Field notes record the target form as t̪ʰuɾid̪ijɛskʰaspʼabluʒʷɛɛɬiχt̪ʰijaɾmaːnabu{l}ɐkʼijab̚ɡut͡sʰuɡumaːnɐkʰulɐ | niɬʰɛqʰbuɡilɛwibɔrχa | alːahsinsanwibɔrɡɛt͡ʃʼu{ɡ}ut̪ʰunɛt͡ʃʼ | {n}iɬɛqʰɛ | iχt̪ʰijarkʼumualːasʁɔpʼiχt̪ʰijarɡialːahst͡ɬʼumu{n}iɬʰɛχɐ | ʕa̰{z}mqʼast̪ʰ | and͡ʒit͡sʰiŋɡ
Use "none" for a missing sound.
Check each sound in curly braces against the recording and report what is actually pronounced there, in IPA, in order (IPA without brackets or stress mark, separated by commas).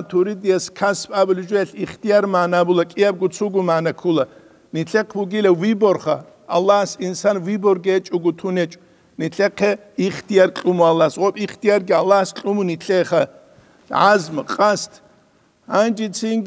l, ɡ, n, n, z